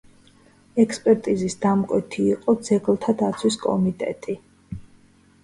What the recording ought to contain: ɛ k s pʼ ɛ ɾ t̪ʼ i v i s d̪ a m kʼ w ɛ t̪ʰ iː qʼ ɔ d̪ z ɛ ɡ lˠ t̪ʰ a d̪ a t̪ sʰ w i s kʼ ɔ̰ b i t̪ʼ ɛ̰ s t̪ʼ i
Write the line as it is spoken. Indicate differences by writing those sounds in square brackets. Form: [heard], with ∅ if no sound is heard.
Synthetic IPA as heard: ɛ k s pʼ ɛ ɾ t̪ʼ i [z] i s d̪ a m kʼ w ɛ t̪ʰ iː qʼ ɔ d̪ z ɛ ɡ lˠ t̪ʰ a d̪ a t̪ sʰ w i s kʼ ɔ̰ [m] i t̪ʼ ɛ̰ [∅] t̪ʼ i

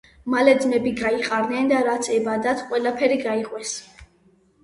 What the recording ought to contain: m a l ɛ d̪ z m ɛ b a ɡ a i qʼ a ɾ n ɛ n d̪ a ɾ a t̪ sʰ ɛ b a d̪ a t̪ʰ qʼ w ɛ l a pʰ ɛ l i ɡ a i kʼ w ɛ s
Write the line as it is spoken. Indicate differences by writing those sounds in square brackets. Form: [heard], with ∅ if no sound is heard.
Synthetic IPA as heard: m a l ɛ d̪ z m ɛ b [i] ɡ a i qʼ a ɾ n ɛ n d̪ a ɾ a t̪ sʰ ɛ b a d̪ a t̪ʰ qʼ w ɛ l a pʰ ɛ [ɾ] i ɡ a i [qʼ] w ɛ s

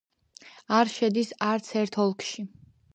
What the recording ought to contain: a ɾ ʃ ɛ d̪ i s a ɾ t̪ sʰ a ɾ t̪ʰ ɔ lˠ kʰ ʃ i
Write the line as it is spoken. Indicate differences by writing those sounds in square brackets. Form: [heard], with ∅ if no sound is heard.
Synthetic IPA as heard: a ɾ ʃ ɛ d̪ i s a ɾ t̪ sʰ [ɛ] ɾ t̪ʰ ɔ lˠ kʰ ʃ i

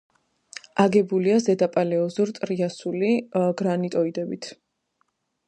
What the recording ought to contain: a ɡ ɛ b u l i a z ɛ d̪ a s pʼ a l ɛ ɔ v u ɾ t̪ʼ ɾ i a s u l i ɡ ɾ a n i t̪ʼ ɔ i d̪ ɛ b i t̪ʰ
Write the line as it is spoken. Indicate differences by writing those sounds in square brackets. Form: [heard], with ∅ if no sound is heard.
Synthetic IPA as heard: a ɡ ɛ b u l i a z ɛ d̪ a [∅] pʼ a l ɛ ɔ [z] u ɾ t̪ʼ ɾ i a s u l i ɡ ɾ a n i t̪ʼ ɔ i d̪ ɛ b i t̪ʰ

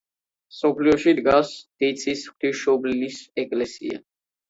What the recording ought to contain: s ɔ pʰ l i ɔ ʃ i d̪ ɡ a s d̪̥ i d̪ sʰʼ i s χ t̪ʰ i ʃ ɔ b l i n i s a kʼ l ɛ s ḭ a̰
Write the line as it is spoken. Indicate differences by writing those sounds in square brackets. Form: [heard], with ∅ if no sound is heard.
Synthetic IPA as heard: s ɔ pʰ l i ɔ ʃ i d̪ ɡ a s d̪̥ i [t̪] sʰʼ i s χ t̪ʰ i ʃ ɔ b l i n i s [ɛ] kʼ l ɛ s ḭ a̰

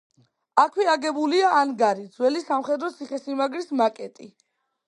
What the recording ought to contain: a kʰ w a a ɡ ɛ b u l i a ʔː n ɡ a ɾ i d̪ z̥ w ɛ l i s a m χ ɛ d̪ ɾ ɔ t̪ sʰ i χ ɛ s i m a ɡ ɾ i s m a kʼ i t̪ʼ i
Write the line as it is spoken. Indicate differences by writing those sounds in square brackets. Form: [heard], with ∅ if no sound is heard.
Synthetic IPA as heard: a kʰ w [i] a ɡ ɛ b u l i a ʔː n ɡ a ɾ i d̪ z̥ w ɛ l i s a m χ ɛ d̪ ɾ ɔ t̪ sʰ i χ ɛ s i m a ɡ ɾ i s m a kʼ [ɛ] t̪ʼ i

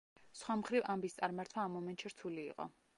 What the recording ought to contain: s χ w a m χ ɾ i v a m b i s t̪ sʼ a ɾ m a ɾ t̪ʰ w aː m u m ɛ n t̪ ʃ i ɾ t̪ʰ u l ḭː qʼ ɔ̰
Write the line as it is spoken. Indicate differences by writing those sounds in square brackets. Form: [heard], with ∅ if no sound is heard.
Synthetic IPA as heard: s χ w a m χ ɾ i v a m b i s t̪ sʼ a ɾ m a ɾ t̪ʰ w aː m [ɔ] m ɛ n t̪ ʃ i ɾ t̪ʰ u l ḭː qʼ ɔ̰

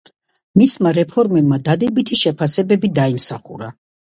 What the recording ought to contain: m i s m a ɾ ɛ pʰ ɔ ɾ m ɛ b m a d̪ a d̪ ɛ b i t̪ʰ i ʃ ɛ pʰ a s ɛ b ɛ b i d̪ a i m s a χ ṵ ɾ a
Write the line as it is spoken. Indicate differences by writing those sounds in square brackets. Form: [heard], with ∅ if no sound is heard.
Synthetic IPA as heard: m i s m a ɾ ɛ pʰ ɔ ɾ m ɛ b m a d̪ a d̪ ɛ b i t̪ʰ i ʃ ɛ pʰ a s ɛ b ɛ b i d̪ a i m s a χ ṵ ɾ a

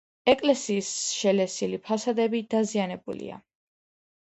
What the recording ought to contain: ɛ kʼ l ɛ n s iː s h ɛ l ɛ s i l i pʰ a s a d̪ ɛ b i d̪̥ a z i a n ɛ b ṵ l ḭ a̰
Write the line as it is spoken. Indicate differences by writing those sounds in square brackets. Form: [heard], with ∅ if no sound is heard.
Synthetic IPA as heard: ɛ kʼ l ɛ [∅] s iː s [ʃ] ɛ l ɛ s i l i pʰ a s a d̪ ɛ b i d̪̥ a z i a n ɛ b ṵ l ḭ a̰

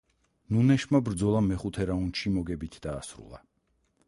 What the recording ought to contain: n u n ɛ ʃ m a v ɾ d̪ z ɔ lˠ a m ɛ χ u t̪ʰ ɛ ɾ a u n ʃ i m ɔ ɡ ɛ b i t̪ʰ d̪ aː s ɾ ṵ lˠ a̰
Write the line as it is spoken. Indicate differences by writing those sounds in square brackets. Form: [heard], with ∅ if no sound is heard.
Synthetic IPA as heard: n u n ɛ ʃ m a [b] ɾ d̪ z ɔ lˠ a m ɛ χ u t̪ʰ ɛ ɾ a u n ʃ i m ɔ ɡ ɛ b i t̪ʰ d̪ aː s ɾ ṵ lˠ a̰

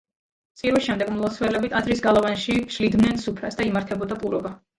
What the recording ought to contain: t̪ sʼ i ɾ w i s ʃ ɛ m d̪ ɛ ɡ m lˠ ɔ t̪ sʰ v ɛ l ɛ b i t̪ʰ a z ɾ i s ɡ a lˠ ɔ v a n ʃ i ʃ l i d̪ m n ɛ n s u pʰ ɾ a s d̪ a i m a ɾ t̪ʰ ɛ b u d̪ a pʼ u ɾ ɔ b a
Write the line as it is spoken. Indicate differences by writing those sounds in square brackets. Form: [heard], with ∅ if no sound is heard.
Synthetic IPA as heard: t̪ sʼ i ɾ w i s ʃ ɛ m d̪ ɛ ɡ m lˠ ɔ t̪ sʰ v ɛ l ɛ b i t̪ʰ a z ɾ i s ɡ a lˠ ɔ v a n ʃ i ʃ l i d̪ m n ɛ n s u pʰ ɾ a s d̪ a i m a ɾ t̪ʰ ɛ b [ɔ] d̪ a pʼ u ɾ ɔ b a

